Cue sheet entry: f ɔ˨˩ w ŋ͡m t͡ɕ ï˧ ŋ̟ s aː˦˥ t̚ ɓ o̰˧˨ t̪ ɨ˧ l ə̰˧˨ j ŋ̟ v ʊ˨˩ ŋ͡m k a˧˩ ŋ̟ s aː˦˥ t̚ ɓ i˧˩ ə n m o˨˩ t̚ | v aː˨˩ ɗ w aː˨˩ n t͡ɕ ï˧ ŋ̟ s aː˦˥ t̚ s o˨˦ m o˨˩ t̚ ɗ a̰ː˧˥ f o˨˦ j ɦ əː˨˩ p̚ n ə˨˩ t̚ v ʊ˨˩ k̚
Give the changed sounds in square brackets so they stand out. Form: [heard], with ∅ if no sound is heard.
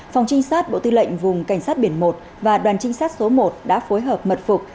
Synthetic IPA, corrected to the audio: f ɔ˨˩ w ŋ͡m t͡ɕ ï˧ ŋ̟ s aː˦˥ t̚ ɓ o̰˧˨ t̪ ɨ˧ l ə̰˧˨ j ŋ̟ v ʊ˨˩ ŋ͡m k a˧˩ ŋ̟ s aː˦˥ t̚ ɓ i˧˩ ə n m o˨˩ t̚ | v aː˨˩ ɗ w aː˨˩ n t͡ɕ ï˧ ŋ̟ s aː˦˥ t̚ s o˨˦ m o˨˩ t̚ ɗ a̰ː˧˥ f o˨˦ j ɦ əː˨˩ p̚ [m] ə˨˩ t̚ [f] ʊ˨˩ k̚